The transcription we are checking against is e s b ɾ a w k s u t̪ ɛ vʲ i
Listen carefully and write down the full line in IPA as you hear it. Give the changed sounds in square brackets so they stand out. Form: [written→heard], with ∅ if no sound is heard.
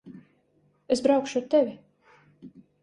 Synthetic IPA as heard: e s b ɾ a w k [s→ʃ] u t̪ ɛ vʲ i